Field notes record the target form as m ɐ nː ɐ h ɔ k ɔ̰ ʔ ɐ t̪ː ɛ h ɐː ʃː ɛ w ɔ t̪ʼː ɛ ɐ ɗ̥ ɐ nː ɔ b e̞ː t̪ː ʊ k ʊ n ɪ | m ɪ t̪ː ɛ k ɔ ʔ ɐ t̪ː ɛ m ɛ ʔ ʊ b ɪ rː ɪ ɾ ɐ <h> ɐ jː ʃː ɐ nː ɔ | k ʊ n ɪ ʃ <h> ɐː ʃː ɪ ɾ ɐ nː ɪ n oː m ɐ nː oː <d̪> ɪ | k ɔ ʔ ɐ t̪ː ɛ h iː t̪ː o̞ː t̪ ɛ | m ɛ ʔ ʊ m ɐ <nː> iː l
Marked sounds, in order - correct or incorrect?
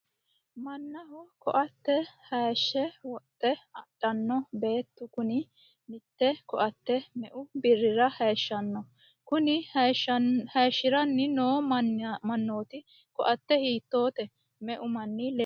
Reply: correct, correct, incorrect, correct

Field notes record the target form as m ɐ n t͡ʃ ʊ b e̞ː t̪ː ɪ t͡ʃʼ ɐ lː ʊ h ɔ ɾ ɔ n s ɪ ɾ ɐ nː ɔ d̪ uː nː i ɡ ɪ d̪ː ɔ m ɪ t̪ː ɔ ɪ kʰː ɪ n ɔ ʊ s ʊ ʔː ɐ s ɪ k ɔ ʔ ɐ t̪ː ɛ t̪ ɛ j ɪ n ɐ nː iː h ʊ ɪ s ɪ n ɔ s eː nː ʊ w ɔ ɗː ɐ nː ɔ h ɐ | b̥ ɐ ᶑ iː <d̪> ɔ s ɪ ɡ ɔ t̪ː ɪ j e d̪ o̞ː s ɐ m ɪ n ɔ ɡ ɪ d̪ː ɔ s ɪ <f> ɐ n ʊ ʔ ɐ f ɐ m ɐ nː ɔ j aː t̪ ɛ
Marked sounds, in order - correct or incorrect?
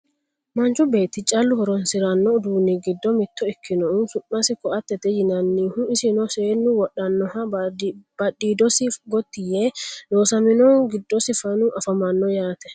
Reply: correct, correct

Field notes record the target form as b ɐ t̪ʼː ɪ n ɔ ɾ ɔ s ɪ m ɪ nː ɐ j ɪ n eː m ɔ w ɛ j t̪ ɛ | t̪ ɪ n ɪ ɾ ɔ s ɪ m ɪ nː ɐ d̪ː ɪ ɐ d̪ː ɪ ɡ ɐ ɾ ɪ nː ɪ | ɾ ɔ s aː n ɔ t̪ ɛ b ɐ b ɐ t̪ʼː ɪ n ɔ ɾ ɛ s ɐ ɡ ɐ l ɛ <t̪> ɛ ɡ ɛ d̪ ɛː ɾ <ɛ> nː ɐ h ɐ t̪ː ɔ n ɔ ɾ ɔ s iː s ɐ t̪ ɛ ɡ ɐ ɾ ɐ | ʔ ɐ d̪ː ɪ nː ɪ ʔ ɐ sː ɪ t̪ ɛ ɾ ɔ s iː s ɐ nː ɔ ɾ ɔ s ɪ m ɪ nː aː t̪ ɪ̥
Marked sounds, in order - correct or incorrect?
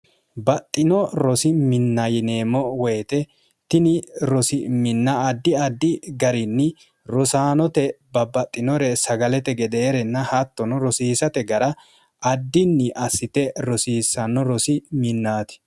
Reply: correct, correct

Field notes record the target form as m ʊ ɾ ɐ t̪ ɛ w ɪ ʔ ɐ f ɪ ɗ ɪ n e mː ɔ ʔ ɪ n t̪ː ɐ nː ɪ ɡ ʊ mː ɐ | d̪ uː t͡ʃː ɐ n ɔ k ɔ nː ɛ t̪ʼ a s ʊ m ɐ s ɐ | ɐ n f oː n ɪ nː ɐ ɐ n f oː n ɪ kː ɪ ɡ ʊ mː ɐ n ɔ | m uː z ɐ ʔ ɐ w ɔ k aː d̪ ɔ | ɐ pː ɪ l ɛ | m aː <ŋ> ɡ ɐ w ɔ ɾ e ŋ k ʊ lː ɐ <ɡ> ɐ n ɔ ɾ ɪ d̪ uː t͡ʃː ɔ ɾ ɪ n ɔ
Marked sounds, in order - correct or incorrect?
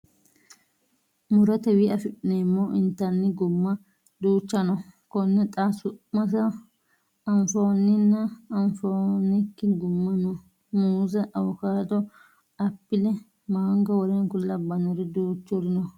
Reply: correct, incorrect

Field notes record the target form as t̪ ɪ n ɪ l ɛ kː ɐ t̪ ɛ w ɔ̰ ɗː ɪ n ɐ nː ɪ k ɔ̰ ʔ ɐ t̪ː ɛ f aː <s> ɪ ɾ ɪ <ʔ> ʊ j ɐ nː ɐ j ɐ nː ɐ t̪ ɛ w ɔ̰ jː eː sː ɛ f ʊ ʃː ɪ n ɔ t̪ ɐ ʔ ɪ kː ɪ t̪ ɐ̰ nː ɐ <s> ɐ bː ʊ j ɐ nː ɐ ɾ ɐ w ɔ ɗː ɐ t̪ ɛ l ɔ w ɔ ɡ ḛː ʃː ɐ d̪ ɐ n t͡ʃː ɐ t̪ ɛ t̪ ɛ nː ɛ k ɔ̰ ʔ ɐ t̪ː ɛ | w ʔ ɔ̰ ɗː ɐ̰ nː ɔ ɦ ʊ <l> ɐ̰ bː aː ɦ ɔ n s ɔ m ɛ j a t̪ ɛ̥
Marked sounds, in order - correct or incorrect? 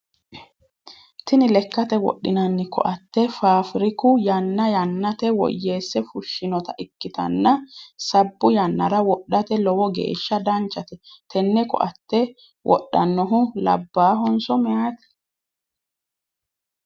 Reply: incorrect, incorrect, correct, correct

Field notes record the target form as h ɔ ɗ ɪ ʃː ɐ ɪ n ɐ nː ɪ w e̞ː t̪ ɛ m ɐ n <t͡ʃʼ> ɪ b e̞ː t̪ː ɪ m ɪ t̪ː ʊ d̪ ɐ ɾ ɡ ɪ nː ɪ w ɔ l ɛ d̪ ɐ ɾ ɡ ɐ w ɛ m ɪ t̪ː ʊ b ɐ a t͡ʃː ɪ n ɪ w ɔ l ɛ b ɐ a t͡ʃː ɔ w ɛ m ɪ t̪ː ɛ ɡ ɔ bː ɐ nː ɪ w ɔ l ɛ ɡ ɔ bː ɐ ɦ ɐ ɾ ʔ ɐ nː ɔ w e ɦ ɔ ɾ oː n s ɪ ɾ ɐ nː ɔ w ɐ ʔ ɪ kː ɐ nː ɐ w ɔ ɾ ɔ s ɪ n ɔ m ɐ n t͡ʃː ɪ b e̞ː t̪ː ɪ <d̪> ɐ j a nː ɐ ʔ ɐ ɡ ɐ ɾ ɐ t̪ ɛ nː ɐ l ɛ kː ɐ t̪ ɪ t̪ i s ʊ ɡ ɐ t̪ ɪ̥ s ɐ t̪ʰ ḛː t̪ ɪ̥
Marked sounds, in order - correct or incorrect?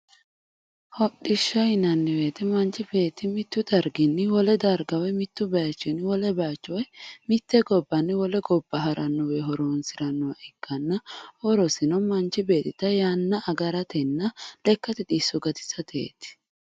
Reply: incorrect, incorrect

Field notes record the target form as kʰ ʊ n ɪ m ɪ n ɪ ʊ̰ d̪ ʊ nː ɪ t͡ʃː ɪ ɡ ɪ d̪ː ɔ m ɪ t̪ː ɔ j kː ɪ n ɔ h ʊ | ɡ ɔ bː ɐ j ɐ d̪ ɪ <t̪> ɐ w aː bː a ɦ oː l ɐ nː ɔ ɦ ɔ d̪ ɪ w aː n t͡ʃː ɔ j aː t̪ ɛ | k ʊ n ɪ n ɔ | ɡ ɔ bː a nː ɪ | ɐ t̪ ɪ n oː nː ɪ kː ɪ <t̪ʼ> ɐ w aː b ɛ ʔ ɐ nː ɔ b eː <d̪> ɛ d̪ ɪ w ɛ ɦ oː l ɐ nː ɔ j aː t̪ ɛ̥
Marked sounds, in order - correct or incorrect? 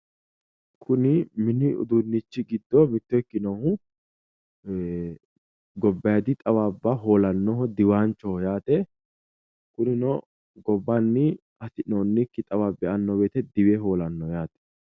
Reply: incorrect, correct, incorrect

